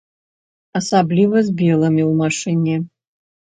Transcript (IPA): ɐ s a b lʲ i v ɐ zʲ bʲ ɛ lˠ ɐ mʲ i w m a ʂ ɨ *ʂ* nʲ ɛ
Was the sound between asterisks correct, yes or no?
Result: no